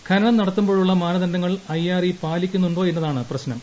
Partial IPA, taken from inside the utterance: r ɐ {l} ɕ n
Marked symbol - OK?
no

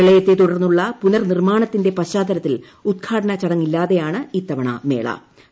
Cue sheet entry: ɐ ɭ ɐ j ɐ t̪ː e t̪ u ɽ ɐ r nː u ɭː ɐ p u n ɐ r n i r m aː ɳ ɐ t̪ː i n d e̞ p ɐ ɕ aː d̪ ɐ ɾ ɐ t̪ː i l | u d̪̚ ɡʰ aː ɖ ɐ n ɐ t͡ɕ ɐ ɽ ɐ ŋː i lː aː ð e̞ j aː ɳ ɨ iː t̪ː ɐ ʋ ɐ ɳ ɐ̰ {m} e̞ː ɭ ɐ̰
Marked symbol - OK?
yes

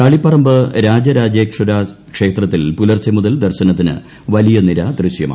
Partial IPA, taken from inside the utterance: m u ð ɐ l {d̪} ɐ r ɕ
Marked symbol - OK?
yes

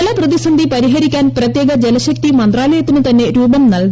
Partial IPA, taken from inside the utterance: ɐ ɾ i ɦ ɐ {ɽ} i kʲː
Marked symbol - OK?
no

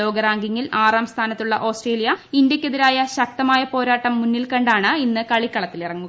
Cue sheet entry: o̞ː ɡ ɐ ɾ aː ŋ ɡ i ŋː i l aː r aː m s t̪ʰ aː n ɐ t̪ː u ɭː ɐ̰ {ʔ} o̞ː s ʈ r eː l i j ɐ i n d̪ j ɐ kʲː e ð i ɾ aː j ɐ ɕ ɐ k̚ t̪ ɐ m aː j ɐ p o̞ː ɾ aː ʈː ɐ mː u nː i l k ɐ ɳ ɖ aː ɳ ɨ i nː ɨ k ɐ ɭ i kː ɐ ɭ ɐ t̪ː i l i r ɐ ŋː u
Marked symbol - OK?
yes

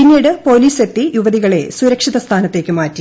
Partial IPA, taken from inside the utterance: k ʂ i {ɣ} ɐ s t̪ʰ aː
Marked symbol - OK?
no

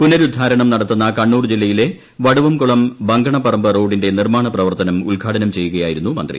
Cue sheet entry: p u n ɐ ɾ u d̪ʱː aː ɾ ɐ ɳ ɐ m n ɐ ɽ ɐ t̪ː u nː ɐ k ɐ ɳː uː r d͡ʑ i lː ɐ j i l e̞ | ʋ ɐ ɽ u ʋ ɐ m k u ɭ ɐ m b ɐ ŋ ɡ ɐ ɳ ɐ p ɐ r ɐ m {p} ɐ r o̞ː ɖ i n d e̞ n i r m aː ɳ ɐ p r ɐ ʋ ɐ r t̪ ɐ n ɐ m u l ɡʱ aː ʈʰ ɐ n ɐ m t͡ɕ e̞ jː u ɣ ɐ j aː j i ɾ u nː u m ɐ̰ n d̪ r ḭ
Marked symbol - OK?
no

